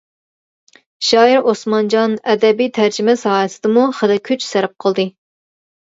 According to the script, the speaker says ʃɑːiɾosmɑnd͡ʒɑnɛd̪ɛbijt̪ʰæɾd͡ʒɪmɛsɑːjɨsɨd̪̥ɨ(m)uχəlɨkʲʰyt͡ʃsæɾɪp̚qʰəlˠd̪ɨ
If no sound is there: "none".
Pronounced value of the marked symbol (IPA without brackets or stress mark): m